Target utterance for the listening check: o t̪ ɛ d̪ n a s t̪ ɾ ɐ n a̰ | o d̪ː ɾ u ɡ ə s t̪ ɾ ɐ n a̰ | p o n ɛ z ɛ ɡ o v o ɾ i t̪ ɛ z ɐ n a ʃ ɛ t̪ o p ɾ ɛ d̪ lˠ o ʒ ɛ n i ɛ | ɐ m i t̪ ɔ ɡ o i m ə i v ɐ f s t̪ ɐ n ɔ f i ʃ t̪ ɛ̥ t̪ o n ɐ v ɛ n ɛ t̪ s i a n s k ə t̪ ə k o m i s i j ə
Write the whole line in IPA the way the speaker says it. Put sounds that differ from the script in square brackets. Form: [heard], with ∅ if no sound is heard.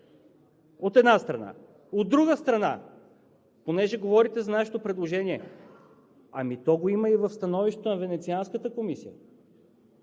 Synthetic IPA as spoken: o t̪ ɛ d̪ n a s t̪ ɾ ɐ n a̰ | o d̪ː ɾ u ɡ ə s t̪ ɾ ɐ n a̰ | p o n ɛ [ʒ] ɛ ɡ o v [ɔ] ɾ i t̪ ɛ z ɐ n a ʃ ɛ t̪ o p ɾ ɛ d̪ lˠ o ʒ ɛ n i ɛ | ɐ m i t̪ ɔ ɡ o i m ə i v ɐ f s t̪ ɐ n ɔ [v] i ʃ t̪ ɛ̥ t̪ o n ɐ v ɛ n ɛ t̪ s i a n s k ə t̪ ə k o m i s i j ə